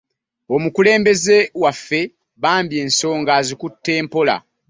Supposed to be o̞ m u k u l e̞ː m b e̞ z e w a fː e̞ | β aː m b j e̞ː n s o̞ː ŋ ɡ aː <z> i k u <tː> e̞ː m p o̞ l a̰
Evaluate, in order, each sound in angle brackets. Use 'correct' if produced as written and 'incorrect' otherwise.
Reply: correct, correct

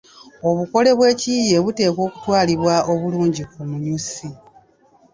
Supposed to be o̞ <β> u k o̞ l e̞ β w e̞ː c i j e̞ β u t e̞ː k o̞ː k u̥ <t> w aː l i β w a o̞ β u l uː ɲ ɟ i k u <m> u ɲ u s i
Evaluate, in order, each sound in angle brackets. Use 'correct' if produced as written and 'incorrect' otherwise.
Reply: correct, correct, correct

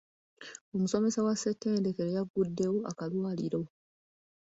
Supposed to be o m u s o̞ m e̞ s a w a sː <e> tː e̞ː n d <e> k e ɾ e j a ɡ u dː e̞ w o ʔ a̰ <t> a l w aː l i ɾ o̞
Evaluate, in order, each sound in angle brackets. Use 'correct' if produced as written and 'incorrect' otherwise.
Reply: correct, correct, incorrect: k

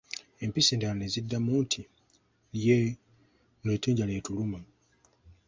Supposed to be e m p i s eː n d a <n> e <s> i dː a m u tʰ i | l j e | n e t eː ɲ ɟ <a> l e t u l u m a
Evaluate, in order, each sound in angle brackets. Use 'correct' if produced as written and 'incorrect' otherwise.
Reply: correct, incorrect: z, correct

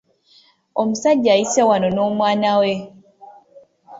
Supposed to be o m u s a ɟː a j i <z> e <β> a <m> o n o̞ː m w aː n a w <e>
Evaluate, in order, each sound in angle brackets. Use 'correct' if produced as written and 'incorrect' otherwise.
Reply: incorrect: s, incorrect: w, incorrect: n, correct

